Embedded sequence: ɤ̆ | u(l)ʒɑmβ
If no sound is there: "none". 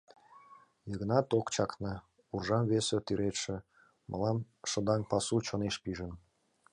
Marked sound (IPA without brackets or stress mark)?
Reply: r